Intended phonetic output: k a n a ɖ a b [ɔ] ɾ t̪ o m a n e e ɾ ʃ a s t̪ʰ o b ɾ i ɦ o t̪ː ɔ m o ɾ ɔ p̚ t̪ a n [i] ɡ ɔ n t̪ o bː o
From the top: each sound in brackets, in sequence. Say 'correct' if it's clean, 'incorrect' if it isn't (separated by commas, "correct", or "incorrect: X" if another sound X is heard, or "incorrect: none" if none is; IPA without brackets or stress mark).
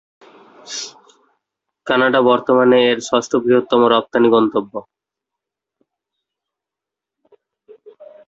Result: correct, correct